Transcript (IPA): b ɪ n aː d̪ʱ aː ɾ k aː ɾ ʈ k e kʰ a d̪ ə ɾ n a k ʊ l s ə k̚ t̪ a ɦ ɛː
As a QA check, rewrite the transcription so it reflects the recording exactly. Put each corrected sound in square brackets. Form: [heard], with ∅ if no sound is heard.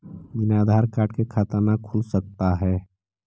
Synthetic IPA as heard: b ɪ n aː d̪ʱ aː ɾ k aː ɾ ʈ k e kʰ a [t̪] ə ɾ n a [kʰ] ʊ l s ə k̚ t̪ a ɦ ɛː